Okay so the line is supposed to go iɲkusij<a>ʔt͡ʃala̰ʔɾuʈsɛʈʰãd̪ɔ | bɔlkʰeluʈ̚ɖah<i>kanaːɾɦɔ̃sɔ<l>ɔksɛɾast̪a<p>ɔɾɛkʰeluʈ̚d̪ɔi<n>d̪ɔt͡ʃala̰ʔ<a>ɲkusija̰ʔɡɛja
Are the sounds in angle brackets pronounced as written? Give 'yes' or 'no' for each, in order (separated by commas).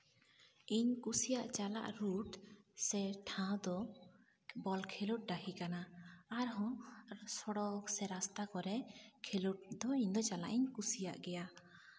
yes, yes, no, no, no, no